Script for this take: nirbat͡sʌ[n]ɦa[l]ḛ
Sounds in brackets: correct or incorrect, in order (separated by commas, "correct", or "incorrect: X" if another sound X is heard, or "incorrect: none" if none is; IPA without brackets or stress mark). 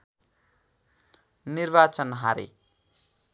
correct, incorrect: ɾ